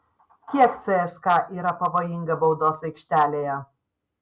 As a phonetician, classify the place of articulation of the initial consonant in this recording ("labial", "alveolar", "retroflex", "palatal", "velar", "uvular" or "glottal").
velar